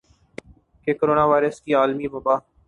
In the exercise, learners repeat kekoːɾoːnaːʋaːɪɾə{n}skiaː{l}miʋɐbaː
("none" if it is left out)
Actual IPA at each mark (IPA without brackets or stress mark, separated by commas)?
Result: none, l